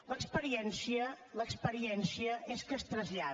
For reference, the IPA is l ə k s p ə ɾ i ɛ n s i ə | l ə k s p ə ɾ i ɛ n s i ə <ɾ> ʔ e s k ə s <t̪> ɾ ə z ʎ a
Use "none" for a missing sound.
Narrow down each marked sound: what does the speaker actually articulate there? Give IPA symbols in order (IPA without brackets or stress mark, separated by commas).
none, t̪